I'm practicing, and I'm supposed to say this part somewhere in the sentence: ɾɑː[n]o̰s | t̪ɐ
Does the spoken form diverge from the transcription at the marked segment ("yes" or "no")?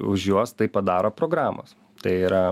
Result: yes